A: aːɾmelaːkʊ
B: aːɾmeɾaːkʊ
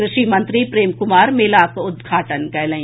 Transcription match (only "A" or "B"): A